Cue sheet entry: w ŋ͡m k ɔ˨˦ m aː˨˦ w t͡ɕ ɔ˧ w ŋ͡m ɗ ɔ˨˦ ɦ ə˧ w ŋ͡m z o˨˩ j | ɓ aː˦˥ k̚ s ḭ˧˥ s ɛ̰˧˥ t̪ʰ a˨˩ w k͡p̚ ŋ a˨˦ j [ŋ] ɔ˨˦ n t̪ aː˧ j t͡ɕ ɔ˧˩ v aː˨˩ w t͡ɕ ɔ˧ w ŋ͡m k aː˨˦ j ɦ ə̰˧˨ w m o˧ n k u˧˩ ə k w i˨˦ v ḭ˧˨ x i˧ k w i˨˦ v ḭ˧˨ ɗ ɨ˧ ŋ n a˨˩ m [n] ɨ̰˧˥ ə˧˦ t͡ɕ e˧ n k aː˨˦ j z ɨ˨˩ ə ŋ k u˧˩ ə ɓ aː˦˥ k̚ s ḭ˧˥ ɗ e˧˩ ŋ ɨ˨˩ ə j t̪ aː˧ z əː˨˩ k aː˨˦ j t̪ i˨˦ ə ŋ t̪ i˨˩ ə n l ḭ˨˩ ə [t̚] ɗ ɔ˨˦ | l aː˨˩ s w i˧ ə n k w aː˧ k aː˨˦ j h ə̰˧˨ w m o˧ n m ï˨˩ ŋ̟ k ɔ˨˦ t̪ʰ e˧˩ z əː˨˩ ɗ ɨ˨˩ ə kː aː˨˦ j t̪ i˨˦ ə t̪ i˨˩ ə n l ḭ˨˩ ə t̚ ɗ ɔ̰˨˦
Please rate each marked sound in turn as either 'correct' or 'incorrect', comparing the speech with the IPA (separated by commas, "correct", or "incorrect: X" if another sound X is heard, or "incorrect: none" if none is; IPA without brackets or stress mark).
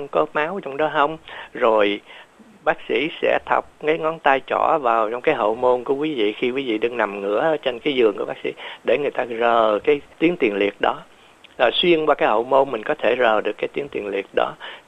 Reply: correct, incorrect: ŋ, correct